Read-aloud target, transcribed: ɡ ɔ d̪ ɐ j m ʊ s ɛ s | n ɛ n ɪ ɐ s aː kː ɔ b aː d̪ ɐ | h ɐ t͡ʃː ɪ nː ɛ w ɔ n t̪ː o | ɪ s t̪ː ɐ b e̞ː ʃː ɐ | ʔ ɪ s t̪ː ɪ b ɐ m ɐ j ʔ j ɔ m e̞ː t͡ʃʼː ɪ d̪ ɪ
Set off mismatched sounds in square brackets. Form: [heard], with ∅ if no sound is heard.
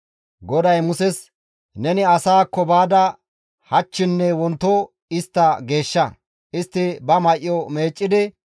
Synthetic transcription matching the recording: ɡ ɔ d̪ ɐ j m ʊ s ɛ s | n ɛ n ɪ ɐ s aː kː ɔ b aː d̪ ɐ | h ɐ t͡ʃː ɪ nː ɛ w ɔ n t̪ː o | ɪ s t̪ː ɐ [ɡ] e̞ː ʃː ɐ | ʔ ɪ s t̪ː ɪ b ɐ m ɐ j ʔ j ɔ m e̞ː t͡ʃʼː ɪ d̪ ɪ